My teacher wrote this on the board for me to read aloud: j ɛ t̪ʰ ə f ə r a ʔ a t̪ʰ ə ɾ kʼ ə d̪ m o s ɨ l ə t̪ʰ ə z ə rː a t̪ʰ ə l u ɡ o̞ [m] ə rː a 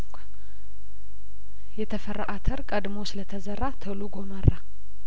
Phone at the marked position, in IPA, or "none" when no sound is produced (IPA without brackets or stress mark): m